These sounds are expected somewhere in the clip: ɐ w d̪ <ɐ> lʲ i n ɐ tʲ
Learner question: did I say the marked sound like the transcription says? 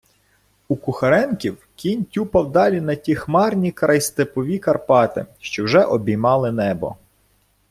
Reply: no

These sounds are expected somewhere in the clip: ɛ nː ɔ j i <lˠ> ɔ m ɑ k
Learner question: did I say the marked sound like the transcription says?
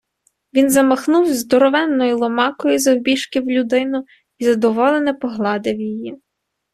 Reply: yes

